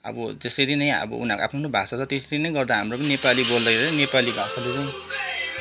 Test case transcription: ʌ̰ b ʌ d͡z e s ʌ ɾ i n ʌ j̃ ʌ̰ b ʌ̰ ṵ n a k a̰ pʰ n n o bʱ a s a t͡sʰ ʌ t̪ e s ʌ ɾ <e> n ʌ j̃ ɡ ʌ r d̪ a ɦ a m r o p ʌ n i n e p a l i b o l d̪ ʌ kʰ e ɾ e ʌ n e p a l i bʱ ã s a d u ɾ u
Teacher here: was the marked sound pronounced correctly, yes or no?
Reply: no